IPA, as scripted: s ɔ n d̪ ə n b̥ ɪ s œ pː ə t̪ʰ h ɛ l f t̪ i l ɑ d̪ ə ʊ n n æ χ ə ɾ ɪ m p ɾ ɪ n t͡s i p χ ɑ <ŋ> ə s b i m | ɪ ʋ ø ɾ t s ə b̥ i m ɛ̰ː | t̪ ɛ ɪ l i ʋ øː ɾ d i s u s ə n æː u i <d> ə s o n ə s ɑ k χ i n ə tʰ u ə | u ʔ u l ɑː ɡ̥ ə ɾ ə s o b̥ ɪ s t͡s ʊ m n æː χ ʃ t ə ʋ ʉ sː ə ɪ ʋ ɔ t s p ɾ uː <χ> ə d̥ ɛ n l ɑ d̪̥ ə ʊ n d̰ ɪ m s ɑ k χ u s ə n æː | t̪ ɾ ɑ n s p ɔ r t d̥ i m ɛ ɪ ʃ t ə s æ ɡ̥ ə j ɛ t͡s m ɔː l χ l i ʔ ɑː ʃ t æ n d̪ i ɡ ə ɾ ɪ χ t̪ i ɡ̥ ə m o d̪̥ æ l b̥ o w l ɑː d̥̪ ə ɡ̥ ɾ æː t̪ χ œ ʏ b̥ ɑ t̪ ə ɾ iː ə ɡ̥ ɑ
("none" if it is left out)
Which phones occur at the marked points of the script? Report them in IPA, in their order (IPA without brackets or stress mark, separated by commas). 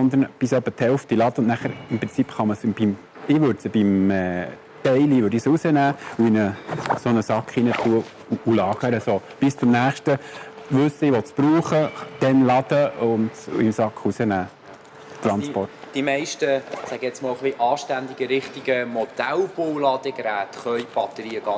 m, n, χ